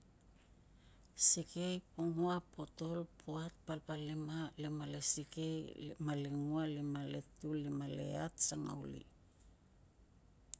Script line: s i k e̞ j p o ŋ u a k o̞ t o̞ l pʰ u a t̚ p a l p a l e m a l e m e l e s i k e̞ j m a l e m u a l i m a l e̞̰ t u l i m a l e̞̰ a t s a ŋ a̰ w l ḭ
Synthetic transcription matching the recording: s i k e̞ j p o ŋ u a p o̞ t o̞ l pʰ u a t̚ p a l p a l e m a l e m a l e s i k e̞ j m a l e ŋ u a l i m a l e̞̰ t u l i m a l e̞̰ a t s a ŋ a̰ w l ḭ